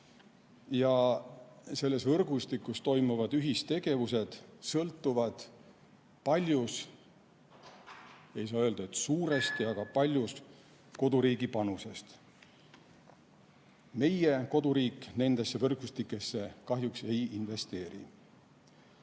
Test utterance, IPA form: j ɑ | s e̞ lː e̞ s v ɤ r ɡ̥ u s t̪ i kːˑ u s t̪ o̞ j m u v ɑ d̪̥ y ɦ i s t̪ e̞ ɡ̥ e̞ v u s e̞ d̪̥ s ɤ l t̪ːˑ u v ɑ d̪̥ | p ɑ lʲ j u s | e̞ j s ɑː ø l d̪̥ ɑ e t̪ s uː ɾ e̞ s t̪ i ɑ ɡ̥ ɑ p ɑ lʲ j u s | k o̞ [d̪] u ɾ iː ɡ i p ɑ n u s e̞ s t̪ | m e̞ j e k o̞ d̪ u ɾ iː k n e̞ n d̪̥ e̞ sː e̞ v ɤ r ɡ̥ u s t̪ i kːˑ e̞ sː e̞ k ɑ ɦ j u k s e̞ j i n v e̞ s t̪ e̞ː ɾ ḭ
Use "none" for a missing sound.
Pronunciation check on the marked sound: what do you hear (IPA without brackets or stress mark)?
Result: d̪